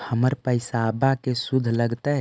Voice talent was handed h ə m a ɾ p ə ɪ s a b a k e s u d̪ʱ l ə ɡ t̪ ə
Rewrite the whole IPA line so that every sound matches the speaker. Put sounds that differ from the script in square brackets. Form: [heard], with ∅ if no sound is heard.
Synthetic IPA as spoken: h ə m [ə] ɾ p ə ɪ s a b a k e s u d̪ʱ l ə ɡ t̪ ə